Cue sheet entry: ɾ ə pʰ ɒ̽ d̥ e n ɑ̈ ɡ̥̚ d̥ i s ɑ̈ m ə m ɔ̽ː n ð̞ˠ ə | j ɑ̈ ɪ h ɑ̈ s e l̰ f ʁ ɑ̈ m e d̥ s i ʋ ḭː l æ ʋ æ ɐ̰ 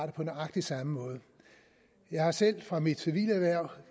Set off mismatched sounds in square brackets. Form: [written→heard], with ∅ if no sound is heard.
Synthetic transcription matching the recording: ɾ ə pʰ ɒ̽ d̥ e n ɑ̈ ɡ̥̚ d̥ i s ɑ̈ m ə m ɔ̽ː [n→∅] ð̞ˠ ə | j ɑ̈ ɪ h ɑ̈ s e l̰ f ʁ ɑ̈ m [e→i] d̥ s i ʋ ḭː l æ ʋ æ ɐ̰